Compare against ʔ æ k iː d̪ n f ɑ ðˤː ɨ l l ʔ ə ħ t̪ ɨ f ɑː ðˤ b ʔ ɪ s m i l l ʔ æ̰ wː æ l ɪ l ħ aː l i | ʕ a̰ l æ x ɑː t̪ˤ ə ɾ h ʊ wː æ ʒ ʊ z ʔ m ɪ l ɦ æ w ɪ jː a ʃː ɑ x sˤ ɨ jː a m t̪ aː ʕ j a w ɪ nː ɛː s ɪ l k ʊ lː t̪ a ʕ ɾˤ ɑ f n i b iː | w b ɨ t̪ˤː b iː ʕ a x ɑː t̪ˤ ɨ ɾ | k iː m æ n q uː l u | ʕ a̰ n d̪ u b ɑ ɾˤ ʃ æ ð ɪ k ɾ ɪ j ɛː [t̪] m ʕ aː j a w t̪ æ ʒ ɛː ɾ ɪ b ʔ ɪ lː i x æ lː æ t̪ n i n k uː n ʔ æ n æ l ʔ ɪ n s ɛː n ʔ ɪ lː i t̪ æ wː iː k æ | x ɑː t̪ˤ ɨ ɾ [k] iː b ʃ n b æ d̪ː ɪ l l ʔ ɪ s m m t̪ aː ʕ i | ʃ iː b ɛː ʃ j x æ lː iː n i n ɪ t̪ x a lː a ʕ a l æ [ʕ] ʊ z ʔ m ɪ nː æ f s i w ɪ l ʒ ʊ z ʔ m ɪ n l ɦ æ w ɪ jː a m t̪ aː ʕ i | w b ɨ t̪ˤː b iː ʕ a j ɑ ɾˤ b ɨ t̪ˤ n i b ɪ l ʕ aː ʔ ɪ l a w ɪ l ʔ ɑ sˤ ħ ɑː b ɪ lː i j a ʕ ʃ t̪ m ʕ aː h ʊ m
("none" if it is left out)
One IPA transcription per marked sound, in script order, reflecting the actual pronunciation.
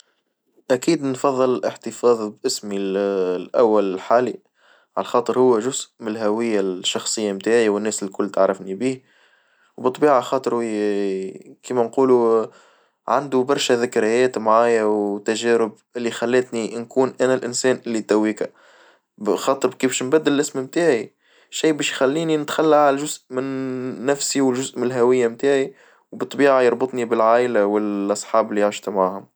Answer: t̪, k, ʒ

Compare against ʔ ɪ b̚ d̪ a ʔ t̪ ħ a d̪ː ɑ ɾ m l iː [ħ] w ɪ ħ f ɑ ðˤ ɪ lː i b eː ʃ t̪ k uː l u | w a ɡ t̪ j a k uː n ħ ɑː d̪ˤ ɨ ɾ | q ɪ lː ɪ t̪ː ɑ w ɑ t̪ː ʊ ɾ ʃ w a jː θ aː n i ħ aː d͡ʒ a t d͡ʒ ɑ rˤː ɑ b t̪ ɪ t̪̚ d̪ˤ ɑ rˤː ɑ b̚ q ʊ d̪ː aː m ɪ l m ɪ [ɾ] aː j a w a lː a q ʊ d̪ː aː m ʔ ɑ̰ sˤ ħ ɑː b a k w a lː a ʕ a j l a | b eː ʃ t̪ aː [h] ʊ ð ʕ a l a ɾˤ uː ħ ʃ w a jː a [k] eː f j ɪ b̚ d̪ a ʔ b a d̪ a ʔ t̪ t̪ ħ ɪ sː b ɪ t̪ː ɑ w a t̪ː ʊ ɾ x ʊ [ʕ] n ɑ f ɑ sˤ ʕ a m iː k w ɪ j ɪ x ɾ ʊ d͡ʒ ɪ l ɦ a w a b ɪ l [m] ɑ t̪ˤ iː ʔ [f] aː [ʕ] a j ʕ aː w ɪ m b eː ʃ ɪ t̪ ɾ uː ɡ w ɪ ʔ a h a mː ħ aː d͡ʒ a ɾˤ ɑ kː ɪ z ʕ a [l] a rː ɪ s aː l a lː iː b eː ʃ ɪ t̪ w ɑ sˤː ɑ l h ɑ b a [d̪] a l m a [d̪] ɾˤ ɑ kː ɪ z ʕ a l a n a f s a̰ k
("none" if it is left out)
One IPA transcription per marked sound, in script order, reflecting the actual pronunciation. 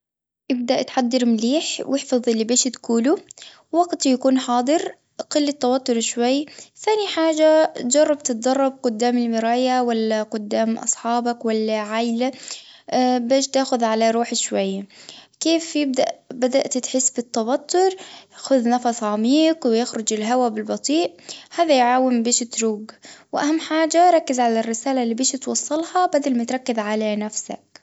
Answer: ħ, ɾ, x, k, ð, b, h, ð, l, d̪, t̪

